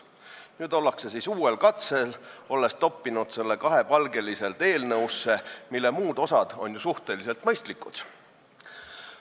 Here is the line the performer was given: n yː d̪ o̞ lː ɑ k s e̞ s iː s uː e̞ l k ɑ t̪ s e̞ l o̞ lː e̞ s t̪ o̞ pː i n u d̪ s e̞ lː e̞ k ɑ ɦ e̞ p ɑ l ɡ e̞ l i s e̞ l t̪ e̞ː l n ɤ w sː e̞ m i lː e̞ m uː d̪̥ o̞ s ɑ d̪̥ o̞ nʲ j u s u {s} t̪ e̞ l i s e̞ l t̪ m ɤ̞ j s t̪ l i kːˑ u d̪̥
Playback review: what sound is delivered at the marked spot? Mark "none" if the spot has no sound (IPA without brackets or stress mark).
h